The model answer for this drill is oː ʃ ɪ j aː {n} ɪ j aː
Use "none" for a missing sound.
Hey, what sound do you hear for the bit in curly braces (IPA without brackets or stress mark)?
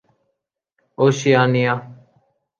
n